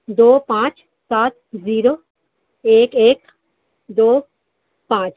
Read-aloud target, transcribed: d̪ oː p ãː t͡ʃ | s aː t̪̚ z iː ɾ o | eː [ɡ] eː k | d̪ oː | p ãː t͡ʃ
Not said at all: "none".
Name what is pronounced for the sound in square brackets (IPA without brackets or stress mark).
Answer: k